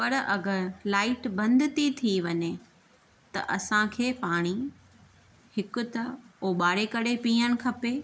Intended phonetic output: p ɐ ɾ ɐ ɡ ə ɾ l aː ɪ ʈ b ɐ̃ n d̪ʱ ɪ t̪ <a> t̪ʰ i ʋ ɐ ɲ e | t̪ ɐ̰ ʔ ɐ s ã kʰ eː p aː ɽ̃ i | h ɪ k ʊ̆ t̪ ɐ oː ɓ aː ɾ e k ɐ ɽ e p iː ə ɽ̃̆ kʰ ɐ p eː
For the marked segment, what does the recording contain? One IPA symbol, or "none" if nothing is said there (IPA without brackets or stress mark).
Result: i